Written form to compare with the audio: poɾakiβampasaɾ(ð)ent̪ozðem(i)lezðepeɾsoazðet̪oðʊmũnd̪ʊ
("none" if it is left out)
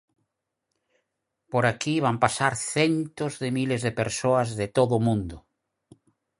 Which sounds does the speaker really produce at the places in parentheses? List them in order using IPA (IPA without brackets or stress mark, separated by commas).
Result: θ, i